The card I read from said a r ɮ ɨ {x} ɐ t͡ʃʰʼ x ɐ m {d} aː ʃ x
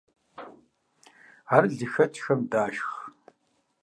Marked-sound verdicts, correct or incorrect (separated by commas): correct, correct